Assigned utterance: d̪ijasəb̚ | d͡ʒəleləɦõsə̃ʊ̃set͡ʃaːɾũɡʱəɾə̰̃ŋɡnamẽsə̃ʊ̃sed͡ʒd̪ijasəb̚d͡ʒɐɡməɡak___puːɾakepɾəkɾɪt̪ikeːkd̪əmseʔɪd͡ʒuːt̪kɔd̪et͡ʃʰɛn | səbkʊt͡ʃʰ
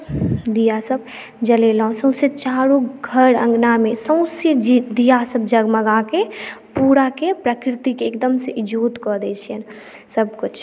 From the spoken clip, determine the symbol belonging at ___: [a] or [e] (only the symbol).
e